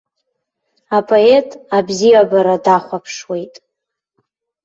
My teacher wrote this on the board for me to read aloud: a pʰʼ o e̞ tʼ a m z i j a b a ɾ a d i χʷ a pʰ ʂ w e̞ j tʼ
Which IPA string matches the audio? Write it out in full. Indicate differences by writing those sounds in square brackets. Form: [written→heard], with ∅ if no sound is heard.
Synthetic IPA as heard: a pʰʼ o e̞ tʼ a [m→b] z i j a b a ɾ a d [i→a] χʷ a pʰ ʂ w e̞ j tʼ